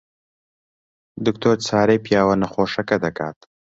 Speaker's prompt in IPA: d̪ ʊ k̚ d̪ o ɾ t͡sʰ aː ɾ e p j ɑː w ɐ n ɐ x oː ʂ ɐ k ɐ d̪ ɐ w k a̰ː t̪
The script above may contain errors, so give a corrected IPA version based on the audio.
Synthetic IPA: d̪ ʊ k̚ t̪ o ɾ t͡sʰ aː ɾ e p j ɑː w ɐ n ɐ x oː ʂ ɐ k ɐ d̪ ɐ k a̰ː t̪